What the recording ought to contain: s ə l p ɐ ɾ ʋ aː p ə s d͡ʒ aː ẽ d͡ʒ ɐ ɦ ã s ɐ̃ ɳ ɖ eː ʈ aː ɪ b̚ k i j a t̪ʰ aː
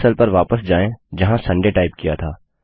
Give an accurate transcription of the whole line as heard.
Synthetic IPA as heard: s ə l p ɐ ɾ ʋ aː p ə s d͡ʒ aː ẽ d͡ʒ ɐ ɦ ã s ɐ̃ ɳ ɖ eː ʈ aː ɪ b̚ k i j a t̪ʰ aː